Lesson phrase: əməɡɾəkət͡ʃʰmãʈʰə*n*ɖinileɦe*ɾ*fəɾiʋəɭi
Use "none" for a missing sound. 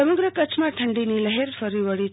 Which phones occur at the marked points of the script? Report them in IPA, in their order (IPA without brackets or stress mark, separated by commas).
ɳ, ɾ